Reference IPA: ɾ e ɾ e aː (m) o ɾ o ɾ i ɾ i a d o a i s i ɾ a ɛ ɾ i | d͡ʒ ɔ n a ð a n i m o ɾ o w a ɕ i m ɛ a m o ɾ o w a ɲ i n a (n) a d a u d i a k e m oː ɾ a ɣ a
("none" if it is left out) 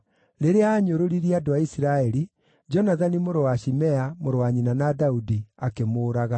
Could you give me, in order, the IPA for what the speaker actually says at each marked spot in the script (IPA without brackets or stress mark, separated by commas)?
ɲ, n